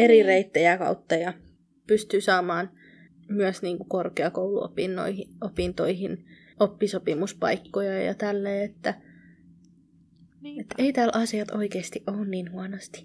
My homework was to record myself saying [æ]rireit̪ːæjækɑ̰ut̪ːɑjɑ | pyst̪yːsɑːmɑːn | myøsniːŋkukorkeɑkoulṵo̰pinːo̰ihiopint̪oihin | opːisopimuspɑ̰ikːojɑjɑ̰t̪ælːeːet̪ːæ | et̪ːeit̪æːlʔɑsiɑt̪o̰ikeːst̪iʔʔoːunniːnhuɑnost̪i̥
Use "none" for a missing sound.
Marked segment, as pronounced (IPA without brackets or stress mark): e